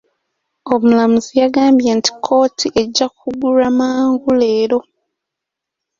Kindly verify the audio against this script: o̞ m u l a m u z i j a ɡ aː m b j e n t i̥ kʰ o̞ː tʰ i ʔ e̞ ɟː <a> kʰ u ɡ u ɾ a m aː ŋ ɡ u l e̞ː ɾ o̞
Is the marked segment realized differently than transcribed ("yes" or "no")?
no